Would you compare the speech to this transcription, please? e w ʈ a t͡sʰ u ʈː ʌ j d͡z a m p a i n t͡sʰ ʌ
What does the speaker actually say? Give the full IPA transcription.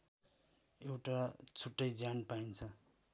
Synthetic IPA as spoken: e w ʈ a t͡sʰ u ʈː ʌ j d͡z a n p a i n t͡sʰ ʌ